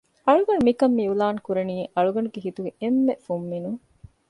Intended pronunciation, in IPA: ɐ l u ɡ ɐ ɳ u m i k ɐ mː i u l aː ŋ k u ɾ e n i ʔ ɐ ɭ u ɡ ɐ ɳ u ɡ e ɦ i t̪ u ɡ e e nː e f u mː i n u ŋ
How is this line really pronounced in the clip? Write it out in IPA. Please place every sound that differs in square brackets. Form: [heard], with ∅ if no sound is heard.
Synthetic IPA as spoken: ɐ [ɭ] u ɡ ɐ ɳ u m i k ɐ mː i u l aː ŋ k u ɾ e n [iː] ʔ ɐ ɭ u ɡ ɐ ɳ u ɡ e ɦ i t̪ u ɡ e e [mː] e f u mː i n u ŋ